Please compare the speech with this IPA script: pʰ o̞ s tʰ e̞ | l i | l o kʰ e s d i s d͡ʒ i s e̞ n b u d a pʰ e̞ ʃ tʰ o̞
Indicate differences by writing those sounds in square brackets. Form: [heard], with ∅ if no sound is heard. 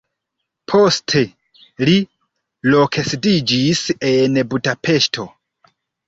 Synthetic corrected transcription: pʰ o̞ s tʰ e̞ | l i | l o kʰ e s d i [∅] d͡ʒ i s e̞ n b u d a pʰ e̞ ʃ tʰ o̞